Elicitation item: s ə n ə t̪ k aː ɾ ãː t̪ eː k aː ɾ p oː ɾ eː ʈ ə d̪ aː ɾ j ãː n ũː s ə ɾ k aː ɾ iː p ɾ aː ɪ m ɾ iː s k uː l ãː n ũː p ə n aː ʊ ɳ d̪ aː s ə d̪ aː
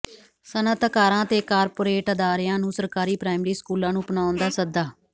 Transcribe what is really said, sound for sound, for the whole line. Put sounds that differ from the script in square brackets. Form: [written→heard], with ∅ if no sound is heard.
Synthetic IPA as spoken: s ə n ə t̪ k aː ɾ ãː t̪ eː k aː ɾ p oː ɾ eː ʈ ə d̪ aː ɾ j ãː n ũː s ə ɾ k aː ɾ iː p ɾ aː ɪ m ɾ iː s k uː l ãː n ũː p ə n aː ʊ [ɳ→n] d̪ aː s ə d̪ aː